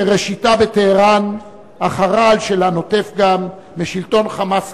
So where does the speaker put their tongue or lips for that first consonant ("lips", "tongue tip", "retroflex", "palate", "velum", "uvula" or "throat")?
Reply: uvula